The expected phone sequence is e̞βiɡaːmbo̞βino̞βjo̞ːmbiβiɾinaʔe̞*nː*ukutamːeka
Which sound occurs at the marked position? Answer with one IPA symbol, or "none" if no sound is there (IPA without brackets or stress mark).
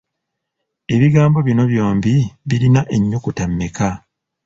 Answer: ɲː